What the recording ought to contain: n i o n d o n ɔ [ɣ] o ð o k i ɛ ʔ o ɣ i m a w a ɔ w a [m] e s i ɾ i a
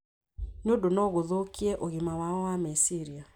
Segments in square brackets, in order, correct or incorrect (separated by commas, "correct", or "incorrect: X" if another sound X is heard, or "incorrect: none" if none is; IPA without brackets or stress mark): correct, correct